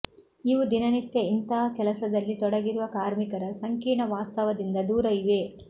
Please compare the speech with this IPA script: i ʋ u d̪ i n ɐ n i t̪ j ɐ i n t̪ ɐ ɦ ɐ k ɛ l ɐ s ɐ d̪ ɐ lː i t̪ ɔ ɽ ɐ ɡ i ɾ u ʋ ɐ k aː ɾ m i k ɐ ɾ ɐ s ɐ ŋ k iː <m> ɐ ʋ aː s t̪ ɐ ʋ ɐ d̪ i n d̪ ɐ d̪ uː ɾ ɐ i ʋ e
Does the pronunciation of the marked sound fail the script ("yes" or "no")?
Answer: yes